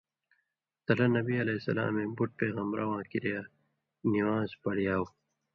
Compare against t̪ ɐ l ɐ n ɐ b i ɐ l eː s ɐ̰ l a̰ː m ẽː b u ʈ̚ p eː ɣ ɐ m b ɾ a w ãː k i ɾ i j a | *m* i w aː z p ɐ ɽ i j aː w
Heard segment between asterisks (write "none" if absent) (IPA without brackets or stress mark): n